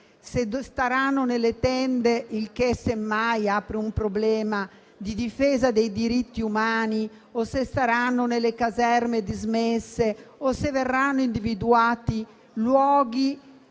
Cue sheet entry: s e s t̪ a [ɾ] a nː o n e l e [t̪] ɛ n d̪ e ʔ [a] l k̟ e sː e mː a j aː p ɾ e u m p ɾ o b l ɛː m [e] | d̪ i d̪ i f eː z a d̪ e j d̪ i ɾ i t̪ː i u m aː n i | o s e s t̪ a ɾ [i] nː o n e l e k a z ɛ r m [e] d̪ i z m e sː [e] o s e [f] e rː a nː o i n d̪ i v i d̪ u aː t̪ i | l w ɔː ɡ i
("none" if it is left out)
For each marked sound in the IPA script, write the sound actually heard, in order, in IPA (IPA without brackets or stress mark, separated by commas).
ɾ, t̪, i, a, a, e, e, v